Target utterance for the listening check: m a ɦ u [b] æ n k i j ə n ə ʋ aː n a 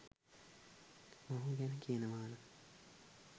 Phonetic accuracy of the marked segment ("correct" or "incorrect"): incorrect